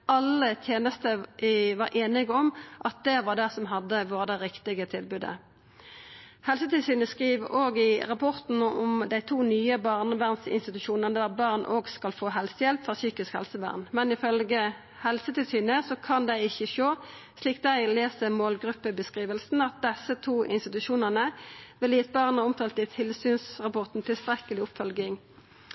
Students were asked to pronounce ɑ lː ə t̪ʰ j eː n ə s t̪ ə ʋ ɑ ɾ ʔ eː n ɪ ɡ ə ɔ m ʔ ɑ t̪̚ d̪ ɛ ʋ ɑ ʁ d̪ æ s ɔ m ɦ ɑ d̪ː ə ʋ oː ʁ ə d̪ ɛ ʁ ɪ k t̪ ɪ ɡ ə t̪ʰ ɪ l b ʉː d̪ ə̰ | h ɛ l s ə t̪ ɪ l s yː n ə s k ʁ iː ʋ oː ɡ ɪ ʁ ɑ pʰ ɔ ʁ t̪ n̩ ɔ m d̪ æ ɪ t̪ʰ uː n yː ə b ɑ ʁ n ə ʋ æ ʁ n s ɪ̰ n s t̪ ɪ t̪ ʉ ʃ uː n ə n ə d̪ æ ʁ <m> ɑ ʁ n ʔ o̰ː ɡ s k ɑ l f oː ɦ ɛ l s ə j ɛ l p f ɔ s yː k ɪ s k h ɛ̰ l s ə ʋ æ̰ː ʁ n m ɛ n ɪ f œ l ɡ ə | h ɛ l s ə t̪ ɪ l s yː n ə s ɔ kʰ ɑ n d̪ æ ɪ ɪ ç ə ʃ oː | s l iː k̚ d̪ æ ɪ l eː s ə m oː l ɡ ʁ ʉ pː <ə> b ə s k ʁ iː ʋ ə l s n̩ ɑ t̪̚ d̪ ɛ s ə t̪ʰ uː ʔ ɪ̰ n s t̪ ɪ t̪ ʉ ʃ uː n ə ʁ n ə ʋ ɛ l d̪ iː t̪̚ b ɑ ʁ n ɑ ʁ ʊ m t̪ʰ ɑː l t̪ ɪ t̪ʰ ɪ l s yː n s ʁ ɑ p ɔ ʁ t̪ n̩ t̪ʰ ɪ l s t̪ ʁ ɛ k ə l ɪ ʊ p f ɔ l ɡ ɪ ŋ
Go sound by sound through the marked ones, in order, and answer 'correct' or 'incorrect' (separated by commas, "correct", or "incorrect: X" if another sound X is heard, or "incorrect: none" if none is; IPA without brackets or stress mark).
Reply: incorrect: b, correct